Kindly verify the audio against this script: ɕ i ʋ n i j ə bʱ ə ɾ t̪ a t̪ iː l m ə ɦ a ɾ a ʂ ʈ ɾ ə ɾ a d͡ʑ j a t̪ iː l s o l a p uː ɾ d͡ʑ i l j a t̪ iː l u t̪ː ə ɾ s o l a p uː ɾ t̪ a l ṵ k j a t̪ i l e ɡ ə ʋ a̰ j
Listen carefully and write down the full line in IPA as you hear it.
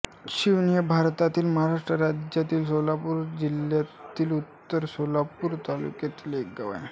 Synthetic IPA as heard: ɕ i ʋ n i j ə bʱ a ɾ t̪ a t̪ iː l m ə ɦ a ɾ a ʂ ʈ ɾ ə ɾ a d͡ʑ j a t̪ iː l s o l a p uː ɾ d͡ʑ i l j a t̪ iː l u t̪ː ə ɾ s o l a p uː ɾ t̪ a l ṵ k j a t̪ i l e ɡ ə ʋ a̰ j